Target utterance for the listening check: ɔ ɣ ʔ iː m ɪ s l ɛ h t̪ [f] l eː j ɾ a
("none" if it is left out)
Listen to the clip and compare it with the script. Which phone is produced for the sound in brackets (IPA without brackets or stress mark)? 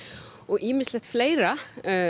f